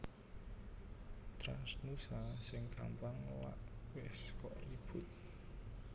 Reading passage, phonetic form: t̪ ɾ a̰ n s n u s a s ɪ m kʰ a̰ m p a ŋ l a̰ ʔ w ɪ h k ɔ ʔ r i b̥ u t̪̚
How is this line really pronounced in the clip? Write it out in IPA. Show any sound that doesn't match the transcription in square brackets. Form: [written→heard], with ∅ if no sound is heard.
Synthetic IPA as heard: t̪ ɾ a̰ n s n u s a s ɪ [m→ŋ] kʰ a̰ m p a ŋ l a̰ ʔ w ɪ [h→s] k ɔ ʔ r i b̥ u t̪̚